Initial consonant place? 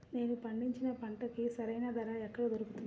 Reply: alveolar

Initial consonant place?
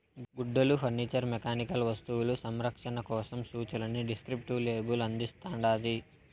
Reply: velar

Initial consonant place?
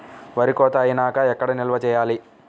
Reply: labial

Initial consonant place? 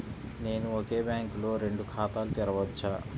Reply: alveolar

